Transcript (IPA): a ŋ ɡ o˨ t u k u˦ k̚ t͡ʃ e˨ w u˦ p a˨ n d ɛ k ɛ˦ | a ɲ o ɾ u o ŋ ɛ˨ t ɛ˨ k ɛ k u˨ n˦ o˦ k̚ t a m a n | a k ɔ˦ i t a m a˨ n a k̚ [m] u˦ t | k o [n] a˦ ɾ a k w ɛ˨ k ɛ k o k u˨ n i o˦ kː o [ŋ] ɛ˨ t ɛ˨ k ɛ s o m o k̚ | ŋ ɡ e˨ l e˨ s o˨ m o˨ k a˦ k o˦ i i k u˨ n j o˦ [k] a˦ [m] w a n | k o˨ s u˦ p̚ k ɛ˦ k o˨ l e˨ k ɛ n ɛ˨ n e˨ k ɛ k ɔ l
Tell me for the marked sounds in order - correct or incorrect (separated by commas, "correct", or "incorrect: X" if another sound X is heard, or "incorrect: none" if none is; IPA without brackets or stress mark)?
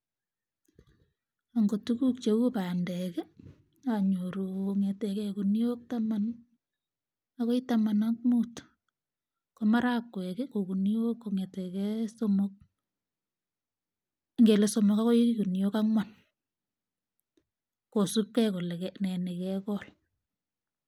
correct, incorrect: m, correct, correct, incorrect: ŋ